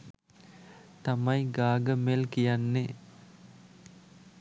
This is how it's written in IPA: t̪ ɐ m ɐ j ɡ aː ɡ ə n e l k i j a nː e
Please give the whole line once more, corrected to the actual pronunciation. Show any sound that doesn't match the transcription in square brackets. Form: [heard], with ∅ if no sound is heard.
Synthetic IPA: t̪ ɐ m ɐ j ɡ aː ɡ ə [m] e l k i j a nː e

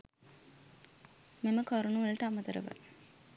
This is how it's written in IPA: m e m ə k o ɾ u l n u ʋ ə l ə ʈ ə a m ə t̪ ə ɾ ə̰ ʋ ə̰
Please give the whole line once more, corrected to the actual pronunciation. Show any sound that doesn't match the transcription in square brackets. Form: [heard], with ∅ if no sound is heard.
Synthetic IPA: m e m ə k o ɾ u [∅] n u ʋ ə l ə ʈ ə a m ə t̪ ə ɾ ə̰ ʋ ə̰

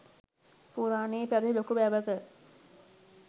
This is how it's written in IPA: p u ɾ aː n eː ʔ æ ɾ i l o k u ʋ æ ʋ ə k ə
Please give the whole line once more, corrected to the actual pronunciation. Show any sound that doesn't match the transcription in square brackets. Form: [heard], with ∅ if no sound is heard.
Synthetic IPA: p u ɾ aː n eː [p] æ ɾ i l o k u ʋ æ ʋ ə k ə

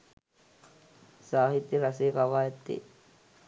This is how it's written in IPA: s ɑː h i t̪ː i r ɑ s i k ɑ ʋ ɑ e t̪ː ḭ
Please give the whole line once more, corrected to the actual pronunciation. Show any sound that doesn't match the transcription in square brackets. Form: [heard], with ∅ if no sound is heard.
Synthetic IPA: s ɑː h i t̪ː i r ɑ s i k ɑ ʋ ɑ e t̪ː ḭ

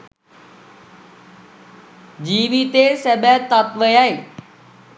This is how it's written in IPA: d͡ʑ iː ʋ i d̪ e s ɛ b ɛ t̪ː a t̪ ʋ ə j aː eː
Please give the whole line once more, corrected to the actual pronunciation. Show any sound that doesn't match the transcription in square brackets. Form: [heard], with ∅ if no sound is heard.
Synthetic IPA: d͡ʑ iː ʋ i [t̪] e s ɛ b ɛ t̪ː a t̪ ʋ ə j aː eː

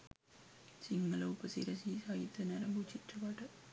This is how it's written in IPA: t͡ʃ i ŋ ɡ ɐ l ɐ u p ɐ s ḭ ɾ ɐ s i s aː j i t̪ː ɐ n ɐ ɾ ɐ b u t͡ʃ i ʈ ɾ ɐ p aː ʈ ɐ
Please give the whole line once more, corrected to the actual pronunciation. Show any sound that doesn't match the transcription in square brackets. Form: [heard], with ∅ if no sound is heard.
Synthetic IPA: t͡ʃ i ŋ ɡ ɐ l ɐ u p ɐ s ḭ ɾ ɐ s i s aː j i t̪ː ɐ n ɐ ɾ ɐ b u t͡ʃ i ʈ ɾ ɐ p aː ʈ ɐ

